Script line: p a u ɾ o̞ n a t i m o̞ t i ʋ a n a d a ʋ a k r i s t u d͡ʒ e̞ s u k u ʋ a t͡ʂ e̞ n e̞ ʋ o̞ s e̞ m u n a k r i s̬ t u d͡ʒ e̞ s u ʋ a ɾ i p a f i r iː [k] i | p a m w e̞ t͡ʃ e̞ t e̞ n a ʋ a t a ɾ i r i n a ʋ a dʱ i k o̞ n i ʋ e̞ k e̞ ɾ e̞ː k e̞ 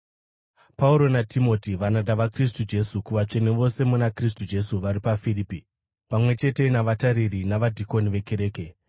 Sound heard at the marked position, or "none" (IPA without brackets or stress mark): p